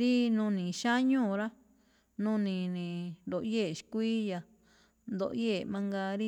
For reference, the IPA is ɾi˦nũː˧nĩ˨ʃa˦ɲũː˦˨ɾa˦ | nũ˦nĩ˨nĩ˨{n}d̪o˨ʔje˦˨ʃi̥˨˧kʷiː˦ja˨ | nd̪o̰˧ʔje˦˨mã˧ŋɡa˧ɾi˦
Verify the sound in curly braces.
correct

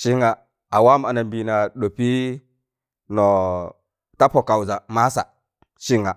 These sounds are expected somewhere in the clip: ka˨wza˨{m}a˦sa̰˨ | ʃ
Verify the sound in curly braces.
correct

